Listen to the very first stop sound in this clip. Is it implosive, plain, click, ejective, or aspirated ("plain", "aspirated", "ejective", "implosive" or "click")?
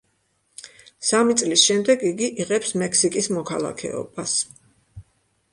plain